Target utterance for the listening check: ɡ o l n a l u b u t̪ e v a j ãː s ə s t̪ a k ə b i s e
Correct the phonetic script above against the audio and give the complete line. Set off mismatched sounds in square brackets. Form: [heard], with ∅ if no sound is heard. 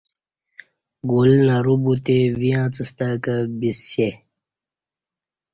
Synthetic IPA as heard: ɡ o l n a [ɾ] u b u t̪ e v [i] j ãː [t͡s] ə s t̪ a k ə b i s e

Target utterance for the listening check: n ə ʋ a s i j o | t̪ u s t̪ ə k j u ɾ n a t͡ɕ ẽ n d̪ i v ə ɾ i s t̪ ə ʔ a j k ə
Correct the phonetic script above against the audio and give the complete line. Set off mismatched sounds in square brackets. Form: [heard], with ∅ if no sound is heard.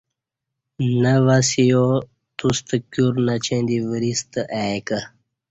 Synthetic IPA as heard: n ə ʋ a s i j o | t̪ u s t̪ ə k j u ɾ n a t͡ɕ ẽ n d̪ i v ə ɾ i s t̪ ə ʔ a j k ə

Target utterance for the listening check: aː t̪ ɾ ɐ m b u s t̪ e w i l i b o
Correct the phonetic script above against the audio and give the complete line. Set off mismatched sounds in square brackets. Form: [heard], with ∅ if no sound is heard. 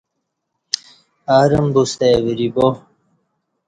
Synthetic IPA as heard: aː [∅] ɾ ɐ m b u s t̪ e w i [ɾ] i b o

